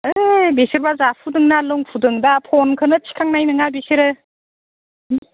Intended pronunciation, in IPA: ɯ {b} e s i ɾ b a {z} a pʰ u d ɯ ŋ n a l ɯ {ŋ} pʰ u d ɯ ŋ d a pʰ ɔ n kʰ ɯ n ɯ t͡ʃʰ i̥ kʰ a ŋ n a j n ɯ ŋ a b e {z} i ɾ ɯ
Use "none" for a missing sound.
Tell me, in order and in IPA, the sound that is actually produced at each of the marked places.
b, z, ŋ, s

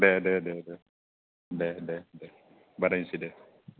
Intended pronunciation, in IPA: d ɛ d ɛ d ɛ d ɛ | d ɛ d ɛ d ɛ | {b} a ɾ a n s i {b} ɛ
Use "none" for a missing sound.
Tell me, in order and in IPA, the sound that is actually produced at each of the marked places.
b, d

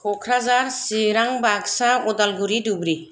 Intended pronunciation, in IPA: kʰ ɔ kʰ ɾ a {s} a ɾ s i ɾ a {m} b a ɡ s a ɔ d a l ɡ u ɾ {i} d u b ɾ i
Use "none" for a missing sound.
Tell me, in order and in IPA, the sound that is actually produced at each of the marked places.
z, ŋ, i

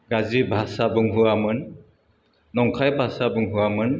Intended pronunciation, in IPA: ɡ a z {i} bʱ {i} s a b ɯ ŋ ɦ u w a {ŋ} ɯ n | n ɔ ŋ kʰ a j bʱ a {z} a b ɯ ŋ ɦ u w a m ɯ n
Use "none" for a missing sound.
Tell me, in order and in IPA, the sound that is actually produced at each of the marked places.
i, a, m, s

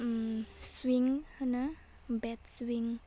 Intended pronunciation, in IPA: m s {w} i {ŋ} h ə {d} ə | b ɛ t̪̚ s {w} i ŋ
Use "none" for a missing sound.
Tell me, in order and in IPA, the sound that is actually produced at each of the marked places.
w, ŋ, n, w

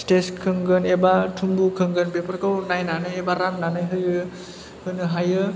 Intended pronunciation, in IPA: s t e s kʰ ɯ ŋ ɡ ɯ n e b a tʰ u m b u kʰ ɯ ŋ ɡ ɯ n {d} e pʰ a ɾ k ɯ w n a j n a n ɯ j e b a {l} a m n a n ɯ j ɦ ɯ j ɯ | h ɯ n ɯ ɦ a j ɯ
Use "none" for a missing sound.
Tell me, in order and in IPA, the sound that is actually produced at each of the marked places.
b, ɾ

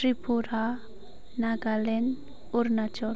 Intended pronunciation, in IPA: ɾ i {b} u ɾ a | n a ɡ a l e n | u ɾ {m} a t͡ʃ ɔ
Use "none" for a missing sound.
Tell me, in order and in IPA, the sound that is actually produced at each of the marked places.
p, n

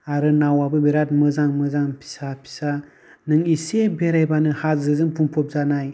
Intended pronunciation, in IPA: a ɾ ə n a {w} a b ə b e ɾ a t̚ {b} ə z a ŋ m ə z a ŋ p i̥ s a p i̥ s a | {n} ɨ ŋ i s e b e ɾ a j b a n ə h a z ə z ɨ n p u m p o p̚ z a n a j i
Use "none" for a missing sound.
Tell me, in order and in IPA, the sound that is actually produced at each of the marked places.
w, m, n

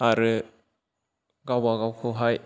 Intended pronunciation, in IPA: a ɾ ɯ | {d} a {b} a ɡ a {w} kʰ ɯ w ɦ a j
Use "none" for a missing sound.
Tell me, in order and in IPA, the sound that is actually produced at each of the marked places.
ɡ, w, w

